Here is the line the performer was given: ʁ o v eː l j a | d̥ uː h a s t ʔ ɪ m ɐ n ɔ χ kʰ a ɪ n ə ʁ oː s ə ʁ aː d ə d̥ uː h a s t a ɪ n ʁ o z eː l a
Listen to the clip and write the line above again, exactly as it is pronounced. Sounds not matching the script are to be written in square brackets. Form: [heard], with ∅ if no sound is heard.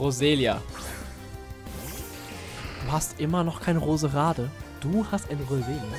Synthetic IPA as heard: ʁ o [z] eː l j a | d̥ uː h a s t ʔ ɪ m ɐ n ɔ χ kʰ a ɪ n ə ʁ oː [z] ə ʁ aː d ə d̥ uː h a s t a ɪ n ʁ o z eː l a